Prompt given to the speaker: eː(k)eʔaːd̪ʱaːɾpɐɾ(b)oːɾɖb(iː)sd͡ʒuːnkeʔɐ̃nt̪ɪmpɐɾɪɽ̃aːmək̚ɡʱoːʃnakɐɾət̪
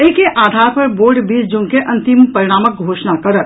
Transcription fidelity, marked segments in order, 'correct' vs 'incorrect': correct, correct, correct

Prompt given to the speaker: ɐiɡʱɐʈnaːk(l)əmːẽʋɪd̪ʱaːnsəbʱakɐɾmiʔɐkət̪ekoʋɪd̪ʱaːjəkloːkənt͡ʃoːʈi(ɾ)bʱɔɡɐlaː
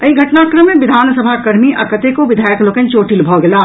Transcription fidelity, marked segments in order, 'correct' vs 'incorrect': incorrect: ɾ, incorrect: l

